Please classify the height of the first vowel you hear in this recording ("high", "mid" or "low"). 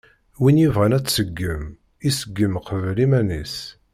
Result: high